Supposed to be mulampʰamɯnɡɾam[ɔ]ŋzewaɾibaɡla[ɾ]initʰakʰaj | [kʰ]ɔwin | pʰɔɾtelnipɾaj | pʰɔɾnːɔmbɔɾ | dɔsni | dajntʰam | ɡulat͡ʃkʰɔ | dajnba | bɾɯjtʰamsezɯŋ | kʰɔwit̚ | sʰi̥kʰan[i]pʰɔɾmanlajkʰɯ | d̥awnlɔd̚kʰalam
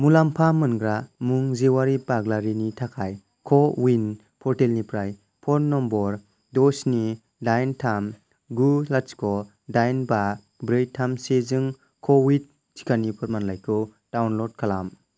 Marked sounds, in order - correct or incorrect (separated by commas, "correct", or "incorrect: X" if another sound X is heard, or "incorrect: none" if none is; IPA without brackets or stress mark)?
incorrect: u, correct, correct, correct